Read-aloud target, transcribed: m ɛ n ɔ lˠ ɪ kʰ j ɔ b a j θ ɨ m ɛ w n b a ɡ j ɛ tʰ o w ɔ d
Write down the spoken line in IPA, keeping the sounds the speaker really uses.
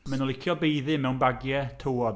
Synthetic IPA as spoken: m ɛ n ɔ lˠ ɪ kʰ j ɔ b e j ð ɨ m ɛ w n b a ɡ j ɛ tʰ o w ɔ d